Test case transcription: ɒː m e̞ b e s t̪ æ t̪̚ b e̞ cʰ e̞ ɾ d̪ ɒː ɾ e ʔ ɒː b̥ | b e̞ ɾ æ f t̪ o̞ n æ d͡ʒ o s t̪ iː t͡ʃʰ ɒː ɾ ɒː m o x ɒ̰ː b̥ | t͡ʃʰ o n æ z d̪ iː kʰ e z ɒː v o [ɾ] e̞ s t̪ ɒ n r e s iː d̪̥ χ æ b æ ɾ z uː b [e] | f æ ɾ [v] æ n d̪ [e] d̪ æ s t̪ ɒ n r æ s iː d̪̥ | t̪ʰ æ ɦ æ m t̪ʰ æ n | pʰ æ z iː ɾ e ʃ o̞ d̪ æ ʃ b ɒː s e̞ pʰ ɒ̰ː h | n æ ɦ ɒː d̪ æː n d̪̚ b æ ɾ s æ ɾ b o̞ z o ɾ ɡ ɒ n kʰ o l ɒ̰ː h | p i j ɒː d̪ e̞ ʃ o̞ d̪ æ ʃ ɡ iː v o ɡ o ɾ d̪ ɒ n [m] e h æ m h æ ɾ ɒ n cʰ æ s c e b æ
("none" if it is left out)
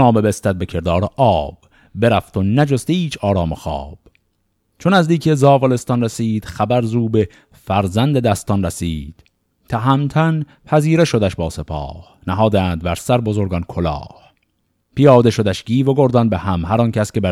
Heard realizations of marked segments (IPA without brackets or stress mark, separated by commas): l, e, z, e, b